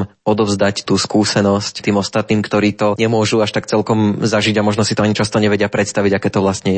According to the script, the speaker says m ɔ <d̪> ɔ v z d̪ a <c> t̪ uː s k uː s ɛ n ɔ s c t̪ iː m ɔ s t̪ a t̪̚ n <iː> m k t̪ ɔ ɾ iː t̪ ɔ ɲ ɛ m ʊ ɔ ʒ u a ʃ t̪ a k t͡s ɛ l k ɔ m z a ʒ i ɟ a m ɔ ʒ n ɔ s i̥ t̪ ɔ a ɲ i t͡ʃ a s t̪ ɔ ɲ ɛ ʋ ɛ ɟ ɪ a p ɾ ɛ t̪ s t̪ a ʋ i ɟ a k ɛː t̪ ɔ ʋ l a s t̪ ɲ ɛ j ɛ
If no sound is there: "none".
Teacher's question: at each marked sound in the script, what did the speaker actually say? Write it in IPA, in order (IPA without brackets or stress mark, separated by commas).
d̪, c, iː